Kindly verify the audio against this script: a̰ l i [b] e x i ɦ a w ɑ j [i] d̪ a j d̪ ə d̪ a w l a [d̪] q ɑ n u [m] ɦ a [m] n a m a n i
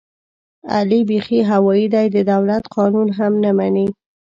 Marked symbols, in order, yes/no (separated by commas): yes, yes, no, no, yes